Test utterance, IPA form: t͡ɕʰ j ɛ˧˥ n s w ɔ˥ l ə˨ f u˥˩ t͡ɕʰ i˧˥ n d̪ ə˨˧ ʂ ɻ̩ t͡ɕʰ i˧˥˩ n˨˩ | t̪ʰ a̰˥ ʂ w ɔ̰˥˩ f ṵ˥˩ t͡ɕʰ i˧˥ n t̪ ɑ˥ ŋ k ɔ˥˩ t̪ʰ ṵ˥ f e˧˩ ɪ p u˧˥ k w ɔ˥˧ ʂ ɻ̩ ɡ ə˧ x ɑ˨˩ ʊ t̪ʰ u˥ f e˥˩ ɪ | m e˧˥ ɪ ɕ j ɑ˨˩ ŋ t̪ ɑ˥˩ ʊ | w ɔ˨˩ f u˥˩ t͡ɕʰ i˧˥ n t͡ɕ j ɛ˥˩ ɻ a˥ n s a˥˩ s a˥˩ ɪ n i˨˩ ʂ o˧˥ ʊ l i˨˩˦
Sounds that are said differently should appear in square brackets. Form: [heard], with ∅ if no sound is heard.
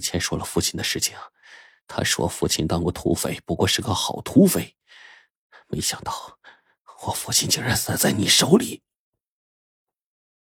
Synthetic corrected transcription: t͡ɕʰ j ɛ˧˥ n [ʂ] w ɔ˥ l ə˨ f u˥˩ t͡ɕʰ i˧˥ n d̪ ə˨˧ ʂ ɻ̩ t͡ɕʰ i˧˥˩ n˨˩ | t̪ʰ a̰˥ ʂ w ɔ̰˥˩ f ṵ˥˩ t͡ɕʰ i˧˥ n t̪ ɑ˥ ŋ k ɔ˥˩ t̪ʰ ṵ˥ f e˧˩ ɪ p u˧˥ k w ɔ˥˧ ʂ ɻ̩ ɡ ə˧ x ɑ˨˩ ʊ t̪ʰ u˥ f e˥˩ ɪ | m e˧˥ ɪ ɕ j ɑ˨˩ ŋ t̪ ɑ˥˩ ʊ | w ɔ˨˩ f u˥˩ t͡ɕʰ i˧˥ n t͡ɕ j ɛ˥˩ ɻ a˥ n s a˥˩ [t͡s] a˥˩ ɪ n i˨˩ ʂ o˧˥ ʊ l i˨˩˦